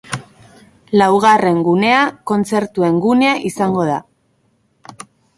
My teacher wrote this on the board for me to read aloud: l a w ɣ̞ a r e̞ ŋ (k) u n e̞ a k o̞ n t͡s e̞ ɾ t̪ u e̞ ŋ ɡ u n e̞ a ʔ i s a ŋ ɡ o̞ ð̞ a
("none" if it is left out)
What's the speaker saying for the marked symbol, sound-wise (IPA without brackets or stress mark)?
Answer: ɡ